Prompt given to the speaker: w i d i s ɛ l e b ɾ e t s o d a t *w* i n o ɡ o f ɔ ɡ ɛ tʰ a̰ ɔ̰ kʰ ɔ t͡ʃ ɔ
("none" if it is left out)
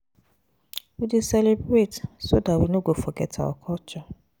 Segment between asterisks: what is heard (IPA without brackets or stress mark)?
w